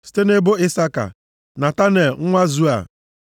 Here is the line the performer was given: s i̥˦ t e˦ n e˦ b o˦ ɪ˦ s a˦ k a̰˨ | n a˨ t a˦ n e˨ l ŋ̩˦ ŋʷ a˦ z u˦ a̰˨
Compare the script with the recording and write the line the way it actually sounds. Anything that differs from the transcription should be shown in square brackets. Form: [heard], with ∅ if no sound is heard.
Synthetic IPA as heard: s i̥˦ t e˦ n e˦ b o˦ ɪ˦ s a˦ k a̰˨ | n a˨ t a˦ n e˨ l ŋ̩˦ ŋʷ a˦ z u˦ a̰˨